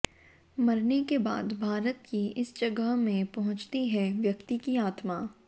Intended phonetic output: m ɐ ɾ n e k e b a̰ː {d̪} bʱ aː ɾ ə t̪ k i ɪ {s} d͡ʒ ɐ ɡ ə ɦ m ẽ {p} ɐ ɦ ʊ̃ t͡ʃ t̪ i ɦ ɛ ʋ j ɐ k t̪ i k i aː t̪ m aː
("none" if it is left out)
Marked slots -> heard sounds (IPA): d̪, s, p

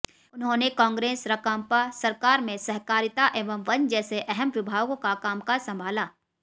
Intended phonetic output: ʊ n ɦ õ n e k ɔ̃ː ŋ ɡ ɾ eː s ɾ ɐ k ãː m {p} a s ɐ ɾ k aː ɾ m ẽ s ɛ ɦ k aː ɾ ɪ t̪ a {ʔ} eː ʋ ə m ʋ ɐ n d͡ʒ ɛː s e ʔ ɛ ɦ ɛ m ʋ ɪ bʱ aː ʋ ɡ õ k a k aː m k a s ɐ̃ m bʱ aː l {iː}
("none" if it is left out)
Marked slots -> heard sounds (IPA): p, ʔ, aː

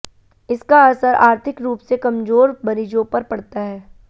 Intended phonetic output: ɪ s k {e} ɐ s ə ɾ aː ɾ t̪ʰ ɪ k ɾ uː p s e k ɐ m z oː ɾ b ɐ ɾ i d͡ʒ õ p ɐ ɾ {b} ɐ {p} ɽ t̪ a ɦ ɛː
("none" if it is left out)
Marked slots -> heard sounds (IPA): a, p, none

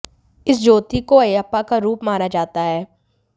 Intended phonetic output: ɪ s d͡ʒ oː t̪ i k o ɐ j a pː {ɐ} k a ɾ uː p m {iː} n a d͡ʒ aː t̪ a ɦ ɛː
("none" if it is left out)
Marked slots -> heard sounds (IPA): a, aː

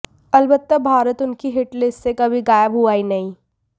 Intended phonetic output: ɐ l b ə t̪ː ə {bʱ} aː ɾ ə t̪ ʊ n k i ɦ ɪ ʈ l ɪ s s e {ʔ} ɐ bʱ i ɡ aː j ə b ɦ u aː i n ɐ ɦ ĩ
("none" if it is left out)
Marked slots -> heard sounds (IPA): bʱ, k

